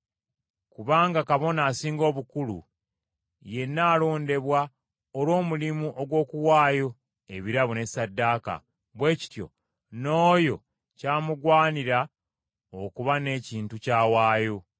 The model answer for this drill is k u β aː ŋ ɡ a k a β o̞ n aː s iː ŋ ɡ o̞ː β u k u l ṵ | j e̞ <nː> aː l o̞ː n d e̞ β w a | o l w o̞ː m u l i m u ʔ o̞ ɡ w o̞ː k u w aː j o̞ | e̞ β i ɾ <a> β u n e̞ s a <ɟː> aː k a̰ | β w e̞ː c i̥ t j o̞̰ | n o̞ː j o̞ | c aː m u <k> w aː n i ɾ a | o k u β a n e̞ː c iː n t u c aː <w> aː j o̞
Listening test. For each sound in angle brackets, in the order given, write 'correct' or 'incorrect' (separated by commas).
correct, correct, incorrect, incorrect, correct